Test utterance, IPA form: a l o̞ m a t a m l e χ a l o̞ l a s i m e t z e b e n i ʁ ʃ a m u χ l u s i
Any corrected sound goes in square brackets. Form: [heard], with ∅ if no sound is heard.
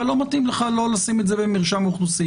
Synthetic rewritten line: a l o̞ m a t [i] m l e χ a l o̞ l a s i m e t z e b e [m] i ʁ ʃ a m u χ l u s i